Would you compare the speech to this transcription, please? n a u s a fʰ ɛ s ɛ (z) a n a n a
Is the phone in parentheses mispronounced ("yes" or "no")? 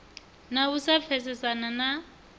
yes